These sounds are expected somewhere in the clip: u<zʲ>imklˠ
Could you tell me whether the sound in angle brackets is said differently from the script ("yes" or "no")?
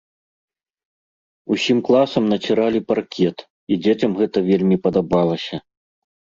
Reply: yes